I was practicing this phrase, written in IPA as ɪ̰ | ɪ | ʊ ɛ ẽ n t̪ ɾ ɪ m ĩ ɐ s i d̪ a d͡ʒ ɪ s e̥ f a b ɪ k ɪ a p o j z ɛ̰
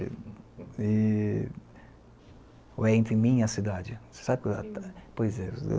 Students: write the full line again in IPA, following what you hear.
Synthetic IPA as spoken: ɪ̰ | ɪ | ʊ ɛ ẽ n t̪ ɾ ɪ m ĩ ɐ s i d̪ a d͡ʒ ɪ s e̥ s a b ɪ k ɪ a p o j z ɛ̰